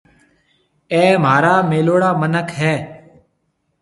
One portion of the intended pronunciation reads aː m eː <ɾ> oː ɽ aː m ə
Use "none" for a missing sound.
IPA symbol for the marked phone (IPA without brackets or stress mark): l